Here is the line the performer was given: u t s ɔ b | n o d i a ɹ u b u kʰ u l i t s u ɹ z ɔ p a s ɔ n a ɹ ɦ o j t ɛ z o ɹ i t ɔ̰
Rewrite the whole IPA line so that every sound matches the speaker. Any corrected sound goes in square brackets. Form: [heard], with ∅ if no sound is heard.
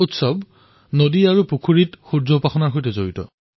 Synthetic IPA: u t s ɔ b | n o d i a ɹ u [p] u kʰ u [ɹ] i t [x] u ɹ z ɔ p a [x] ɔ n a ɹ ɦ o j t ɛ z o ɹ i t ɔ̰